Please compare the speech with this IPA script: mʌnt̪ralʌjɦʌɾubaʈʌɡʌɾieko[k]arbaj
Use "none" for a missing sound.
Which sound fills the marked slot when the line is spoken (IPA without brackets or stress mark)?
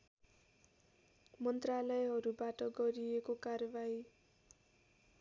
k